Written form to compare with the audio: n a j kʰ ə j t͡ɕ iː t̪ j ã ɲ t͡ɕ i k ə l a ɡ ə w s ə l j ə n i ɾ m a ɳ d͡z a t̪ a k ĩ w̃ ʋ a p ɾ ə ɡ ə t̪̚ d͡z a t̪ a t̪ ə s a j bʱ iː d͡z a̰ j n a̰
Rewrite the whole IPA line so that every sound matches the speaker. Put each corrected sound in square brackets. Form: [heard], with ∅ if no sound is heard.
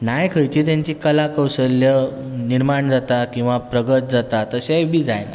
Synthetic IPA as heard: n a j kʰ ə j t͡ɕ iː t̪ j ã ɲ t͡ɕ i k ə l a [k] ə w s ə l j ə n i ɾ m a ɳ d͡z a t̪ a k ĩ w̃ ʋ a p ɾ ə ɡ ə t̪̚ d͡z a t̪ a t̪ ə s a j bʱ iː d͡z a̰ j n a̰